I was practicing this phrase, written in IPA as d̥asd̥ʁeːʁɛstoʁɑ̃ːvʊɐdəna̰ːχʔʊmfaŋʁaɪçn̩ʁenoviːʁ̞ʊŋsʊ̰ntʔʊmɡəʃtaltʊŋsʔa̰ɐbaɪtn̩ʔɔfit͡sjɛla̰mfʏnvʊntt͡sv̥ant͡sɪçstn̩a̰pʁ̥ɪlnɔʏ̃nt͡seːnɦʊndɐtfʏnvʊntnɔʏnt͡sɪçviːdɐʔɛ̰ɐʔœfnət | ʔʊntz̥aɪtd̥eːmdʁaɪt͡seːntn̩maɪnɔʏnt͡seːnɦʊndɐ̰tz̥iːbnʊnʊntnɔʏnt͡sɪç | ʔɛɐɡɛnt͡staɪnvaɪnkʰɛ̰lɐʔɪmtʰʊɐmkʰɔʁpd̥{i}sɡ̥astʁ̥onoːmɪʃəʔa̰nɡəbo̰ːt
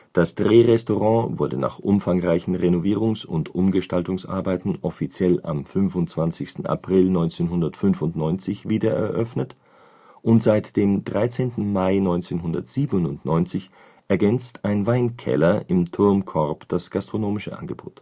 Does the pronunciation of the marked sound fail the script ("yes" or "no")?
yes